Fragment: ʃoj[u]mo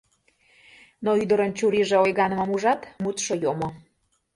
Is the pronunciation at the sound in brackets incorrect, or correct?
incorrect